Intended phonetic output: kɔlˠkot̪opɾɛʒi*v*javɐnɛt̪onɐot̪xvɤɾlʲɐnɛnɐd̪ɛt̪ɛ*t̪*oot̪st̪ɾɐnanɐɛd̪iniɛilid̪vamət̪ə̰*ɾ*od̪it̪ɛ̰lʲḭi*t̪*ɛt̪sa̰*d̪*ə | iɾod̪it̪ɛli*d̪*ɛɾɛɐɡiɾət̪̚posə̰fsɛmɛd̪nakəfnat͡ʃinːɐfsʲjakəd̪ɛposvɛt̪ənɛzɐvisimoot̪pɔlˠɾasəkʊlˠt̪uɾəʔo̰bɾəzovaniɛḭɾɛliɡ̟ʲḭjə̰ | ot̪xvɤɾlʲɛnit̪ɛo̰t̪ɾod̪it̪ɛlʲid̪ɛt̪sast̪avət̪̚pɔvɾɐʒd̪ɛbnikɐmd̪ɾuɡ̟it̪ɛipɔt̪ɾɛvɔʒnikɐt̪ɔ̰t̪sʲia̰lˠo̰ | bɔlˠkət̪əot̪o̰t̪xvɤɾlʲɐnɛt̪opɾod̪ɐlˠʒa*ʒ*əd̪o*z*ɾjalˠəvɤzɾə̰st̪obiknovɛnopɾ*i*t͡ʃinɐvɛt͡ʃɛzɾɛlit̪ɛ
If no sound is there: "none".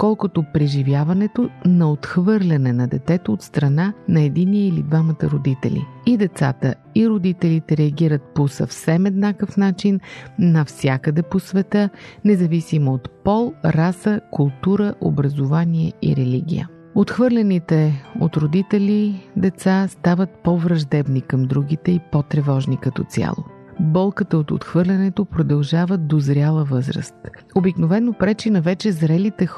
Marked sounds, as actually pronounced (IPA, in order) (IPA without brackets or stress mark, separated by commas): v, t̪, ɾ, d̪, t̪, t̪, v, z, ɛ